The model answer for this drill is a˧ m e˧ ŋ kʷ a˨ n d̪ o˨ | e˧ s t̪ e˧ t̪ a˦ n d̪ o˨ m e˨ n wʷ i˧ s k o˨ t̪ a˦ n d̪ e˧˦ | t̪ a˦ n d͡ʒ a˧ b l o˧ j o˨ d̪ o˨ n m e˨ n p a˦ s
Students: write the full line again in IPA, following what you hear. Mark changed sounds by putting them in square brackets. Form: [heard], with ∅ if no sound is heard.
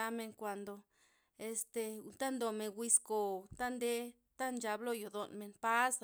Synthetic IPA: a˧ m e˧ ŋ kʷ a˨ n d̪ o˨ | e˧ s t̪ e˧ t̪ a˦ n d̪ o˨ m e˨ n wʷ i˧ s k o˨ t̪ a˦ n d̪ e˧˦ | t̪ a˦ n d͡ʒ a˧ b l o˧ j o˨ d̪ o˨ n m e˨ n p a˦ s